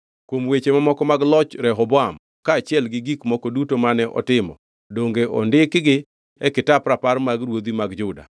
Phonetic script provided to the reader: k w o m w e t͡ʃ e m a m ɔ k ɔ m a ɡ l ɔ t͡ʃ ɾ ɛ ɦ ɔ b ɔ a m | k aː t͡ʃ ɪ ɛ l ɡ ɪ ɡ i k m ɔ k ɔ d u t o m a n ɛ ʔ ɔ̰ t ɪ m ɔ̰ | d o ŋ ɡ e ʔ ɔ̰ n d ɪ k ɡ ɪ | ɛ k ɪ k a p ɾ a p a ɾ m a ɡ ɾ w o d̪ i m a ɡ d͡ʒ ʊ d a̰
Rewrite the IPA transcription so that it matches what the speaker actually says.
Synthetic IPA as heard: k w o m w e t͡ʃ e m a m ɔ k ɔ m a ɡ l ɔ t͡ʃ ɾ ɛ ɦ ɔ b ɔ a m | k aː t͡ʃ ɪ ɛ l ɡ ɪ ɡ i k m ɔ k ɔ d u t o m a n ɛ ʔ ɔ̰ t ɪ m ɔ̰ | d o ŋ ɡ e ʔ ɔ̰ n d ɪ k ɡ ɪ | ɛ k ɪ t a p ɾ a p a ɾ m a ɡ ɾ w o d̪ i m a ɡ d͡ʒ ʊ d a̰